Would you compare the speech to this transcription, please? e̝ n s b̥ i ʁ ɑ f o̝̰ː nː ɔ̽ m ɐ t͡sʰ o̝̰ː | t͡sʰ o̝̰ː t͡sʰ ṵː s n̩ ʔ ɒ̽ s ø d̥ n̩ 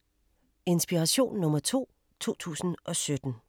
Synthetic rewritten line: e̝ n s b̥ i ʁ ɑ ɕ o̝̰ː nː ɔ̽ m ɐ t͡sʰ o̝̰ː | t͡sʰ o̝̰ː t͡sʰ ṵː s n̩ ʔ ɒ̽ s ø d̥ n̩